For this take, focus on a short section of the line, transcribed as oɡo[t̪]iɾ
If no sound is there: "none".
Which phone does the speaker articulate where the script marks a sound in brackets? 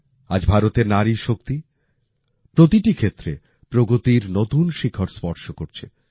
t̪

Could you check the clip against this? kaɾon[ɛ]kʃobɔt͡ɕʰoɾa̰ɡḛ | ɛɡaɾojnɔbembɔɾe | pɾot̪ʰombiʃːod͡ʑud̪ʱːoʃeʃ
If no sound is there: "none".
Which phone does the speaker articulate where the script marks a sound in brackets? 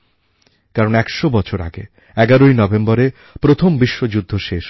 ɛ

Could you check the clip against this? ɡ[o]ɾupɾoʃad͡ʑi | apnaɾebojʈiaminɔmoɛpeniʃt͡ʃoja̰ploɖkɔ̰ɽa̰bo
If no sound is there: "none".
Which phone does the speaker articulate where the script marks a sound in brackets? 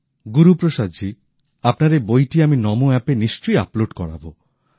u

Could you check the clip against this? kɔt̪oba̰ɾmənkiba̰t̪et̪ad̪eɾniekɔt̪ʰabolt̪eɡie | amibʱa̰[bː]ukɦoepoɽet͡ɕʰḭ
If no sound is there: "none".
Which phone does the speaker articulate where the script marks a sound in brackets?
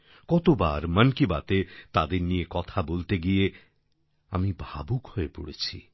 b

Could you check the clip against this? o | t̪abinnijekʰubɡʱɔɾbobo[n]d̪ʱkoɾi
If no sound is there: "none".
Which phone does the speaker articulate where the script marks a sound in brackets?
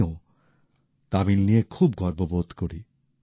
none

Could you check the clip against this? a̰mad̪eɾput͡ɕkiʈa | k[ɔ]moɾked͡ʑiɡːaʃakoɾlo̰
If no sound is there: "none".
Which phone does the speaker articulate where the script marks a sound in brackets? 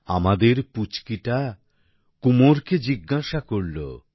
u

